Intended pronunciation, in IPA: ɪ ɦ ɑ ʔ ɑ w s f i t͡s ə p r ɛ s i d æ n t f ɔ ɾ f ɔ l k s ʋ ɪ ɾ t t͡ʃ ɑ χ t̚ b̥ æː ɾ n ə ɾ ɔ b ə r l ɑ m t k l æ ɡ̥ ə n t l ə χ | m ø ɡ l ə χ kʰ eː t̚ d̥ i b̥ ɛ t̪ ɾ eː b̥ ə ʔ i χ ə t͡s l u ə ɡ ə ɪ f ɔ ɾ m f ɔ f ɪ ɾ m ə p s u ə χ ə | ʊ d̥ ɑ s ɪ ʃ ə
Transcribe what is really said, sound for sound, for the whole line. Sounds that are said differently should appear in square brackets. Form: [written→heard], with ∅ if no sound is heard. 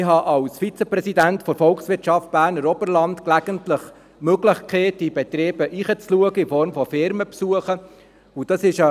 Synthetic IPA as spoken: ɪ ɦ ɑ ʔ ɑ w s f i t͡s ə p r ɛ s i d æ n t f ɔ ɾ f ɔ l k s ʋ ɪ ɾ t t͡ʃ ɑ [χ→f] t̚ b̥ æː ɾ n ə ɾ ɔ b ə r l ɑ [m→n] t k l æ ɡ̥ ə n t l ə χ | m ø ɡ l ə χ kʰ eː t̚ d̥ i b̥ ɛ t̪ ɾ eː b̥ ə ʔ i χ ə t͡s l u ə ɡ ə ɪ f ɔ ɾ m f ɔ f ɪ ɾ m ə p s u ə χ ə | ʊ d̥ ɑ s ɪ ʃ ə

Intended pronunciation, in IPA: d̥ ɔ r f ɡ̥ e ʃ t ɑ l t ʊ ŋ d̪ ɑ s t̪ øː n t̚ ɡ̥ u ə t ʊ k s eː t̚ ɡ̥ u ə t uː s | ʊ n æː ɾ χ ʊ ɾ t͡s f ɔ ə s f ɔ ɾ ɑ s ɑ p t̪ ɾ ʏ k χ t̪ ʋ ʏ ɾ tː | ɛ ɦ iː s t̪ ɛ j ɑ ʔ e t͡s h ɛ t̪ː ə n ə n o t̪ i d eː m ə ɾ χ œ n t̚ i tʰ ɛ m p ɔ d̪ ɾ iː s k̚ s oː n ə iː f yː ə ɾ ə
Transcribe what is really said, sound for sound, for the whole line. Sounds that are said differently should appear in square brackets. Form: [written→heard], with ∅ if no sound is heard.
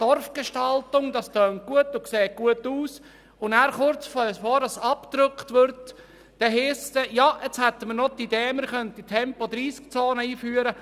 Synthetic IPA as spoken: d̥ ɔ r f ɡ̥ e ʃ t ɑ l t ʊ ŋ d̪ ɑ s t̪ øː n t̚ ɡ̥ u ə t ʊ k s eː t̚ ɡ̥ u ə t uː s | ʊ n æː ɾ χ ʊ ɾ t͡s f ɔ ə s f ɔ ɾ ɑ s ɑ p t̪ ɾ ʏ k χ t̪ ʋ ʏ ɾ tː | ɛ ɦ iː s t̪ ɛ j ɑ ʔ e t͡s h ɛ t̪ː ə [n→m] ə n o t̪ i d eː m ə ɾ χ œ n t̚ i tʰ ɛ m p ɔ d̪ ɾ iː s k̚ [s→t͡s] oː n ə iː f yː ə ɾ ə

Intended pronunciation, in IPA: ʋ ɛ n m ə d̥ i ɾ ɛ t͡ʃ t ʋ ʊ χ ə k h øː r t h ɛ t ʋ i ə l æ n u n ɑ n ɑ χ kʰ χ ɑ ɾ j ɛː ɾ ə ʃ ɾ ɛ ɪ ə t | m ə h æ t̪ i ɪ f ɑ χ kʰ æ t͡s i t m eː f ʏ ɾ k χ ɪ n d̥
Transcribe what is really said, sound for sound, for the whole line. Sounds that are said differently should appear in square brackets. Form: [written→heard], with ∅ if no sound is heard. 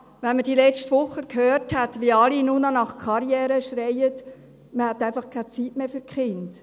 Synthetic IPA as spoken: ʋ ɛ n m ə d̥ i [ɾ→l] ɛ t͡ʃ t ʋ ʊ χ ə k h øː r t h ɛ t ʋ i [ə→ɑ] l [æ→i] n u n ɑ n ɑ χ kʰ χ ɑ ɾ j ɛː ɾ ə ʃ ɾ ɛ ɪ ə t | m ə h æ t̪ [i→æ] ɪ f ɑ χ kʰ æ t͡s i t m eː f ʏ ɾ k χ ɪ n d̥

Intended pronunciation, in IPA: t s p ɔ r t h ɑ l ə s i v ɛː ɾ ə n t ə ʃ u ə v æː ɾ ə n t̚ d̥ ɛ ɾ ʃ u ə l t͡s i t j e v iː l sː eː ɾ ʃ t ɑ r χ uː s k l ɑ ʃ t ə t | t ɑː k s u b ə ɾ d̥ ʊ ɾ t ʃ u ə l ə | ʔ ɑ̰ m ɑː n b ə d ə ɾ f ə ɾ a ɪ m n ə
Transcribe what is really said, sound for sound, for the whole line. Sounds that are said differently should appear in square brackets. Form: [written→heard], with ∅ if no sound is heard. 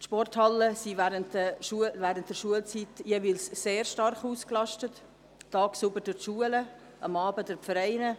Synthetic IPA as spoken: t [s→ʃ] p ɔ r t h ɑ l ə s i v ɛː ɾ ə n t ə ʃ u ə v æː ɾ ə n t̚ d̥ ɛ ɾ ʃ u ə l t͡s i t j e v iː l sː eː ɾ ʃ t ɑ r χ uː s k l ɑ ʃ t ə t | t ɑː k s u b ə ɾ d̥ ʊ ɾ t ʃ u ə l ə | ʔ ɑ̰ m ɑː [n→∅] b ə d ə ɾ f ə ɾ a ɪ [m→∅] n ə

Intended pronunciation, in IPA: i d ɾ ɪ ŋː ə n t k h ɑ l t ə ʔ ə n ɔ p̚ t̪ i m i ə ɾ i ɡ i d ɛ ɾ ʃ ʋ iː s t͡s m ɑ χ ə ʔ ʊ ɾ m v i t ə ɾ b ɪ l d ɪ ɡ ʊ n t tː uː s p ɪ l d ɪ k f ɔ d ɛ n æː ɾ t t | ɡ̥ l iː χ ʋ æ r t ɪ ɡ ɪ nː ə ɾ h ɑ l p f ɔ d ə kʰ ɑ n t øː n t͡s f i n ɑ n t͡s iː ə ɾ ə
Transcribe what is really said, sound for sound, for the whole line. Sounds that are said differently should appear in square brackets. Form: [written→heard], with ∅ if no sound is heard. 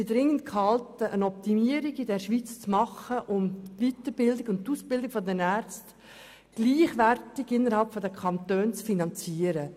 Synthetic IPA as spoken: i d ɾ ɪ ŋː ə n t k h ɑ l t ə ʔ ə n ɔ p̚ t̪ i m i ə ɾ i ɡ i d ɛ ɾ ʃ ʋ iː [s→t͡s] t͡s m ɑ χ ə ʔ ʊ [ɾ→∅] m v i t ə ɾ b ɪ l d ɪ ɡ ʊ n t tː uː s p ɪ l d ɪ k f ɔ d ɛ n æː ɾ [t→t͡s] t | ɡ̥ l iː χ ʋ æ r t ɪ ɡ ɪ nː ə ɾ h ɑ l p f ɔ d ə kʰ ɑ n t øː n t͡s f i n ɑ n t͡s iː ə ɾ ə

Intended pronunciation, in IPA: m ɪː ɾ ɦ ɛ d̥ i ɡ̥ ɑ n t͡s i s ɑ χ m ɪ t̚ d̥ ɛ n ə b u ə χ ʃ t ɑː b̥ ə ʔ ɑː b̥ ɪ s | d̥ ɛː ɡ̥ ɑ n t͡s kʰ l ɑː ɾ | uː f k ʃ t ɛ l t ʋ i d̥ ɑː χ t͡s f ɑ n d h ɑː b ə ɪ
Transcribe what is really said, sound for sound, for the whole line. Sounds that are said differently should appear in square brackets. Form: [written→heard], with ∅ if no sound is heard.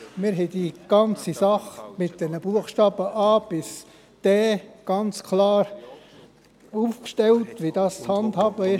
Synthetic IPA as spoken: m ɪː ɾ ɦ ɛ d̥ i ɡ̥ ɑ n t͡s i s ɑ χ m ɪ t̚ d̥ ɛ n ə b u ə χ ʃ t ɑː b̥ ə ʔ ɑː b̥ ɪ s | d̥ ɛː ɡ̥ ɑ n t͡s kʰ l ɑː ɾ | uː f k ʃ t ɛ l t ʋ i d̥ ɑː [χ→s] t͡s [f→h] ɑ n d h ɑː b ə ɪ

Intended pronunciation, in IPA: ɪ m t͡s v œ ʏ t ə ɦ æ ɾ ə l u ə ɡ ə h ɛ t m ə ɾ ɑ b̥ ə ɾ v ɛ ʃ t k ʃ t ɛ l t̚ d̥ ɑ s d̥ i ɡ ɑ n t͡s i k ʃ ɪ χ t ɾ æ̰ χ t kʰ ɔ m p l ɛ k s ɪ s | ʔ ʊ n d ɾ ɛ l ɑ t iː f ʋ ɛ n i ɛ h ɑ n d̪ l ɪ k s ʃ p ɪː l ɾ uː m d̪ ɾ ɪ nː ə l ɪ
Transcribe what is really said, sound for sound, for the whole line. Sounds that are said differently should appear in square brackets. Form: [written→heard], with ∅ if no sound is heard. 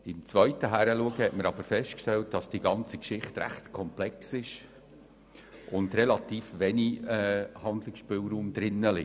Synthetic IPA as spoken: ɪ m t͡s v œ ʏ t ə ɦ æ ɾ ə l u ə ɡ ə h ɛ t m ə ɾ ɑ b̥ ə ɾ [v→f] ɛ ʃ t k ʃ t ɛ l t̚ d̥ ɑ s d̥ i ɡ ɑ n t͡s i k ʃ ɪ χ t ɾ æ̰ χ t kʰ ɔ m p l ɛ k s ɪ [s→ʃ] | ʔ ʊ n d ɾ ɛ l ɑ t iː f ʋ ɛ n i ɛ h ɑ n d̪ l ɪ k s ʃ p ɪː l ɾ uː m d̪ ɾ ɪ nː ə l ɪ

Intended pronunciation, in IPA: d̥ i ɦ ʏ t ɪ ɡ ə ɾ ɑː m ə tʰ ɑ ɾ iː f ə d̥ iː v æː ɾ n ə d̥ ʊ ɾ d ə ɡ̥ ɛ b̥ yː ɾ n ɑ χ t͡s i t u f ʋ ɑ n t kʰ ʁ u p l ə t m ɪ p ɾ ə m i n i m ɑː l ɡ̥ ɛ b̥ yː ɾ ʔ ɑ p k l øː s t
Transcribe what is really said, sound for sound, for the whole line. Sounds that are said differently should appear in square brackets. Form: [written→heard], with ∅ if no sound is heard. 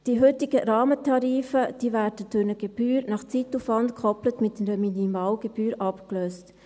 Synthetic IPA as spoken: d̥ i ɦ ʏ t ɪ ɡ ə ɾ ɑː m ə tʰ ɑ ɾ iː f ə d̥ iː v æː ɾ [n→d] ə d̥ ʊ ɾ [d→n] ə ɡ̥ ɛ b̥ yː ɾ n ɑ χ t͡s i t u f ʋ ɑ n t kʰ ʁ [u→ɔ] p l ə t m ɪ [p→t] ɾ ə m i n i m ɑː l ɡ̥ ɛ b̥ yː ɾ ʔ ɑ p k l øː s t

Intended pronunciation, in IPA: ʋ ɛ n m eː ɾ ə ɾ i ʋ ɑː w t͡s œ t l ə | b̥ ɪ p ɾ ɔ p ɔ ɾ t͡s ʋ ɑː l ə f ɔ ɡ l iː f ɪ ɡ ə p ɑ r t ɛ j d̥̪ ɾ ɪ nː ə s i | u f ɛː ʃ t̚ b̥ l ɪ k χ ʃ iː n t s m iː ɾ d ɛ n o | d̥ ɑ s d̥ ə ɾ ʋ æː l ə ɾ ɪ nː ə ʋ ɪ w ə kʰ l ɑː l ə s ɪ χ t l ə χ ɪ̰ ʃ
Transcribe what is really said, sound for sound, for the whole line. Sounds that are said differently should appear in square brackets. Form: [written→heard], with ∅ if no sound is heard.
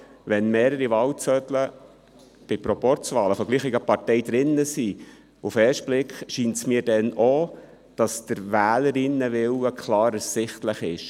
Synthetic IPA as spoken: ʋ ɛ n m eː ɾ ə ɾ i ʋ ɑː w t͡s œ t l ə | b̥ ɪ p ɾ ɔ p ɔ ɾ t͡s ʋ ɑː l ə f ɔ ɡ l iː [f→χ] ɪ ɡ ə p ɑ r t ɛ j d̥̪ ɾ ɪ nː ə s i | u f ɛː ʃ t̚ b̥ l ɪ k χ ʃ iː n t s m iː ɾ d ɛ n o | d̥ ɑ s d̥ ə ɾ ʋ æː l ə ɾ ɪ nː ə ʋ ɪ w ə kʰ l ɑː [l→ɾ] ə s ɪ χ t l ə χ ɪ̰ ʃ

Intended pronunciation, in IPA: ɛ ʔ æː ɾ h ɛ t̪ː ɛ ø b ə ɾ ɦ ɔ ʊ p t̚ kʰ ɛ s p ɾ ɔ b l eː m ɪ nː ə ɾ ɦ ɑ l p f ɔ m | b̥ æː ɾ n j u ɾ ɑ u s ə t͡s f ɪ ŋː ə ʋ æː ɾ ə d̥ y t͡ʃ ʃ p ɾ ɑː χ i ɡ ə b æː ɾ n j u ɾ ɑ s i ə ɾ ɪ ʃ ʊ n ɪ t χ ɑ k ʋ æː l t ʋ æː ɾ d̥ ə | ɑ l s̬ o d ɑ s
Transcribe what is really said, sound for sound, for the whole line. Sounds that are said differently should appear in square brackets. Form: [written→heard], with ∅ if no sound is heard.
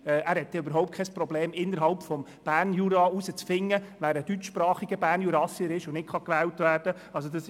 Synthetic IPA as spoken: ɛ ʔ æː ɾ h ɛ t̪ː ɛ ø b ə ɾ ɦ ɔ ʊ p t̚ kʰ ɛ s p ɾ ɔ b l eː m ɪ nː ə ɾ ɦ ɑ l p f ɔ m | b̥ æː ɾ n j u ɾ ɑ u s ə t͡s f ɪ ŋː ə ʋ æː ɾ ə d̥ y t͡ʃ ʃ p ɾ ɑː χ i ɡ ə b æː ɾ n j u ɾ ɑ s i ə ɾ ɪ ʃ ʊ n ɪ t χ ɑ k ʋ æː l t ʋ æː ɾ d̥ ə | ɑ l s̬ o d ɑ s

